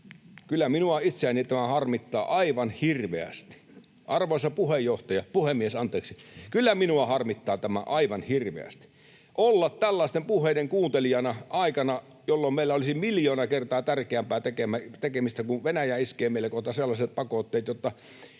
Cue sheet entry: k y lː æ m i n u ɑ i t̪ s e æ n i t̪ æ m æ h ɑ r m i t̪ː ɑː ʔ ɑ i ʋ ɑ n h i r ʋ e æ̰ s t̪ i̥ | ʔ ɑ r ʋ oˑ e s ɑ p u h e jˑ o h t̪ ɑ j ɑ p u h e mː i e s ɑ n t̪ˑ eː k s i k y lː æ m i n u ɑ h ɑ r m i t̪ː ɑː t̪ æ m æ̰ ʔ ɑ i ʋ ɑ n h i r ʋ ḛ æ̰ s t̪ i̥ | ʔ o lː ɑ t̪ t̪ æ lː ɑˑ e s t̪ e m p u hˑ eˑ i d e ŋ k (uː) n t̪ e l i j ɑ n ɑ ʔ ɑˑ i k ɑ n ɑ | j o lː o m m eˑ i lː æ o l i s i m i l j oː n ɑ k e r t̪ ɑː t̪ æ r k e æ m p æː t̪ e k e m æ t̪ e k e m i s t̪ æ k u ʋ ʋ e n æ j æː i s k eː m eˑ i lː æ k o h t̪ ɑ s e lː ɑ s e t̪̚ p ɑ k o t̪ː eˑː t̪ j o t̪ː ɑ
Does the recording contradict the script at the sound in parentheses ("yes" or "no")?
no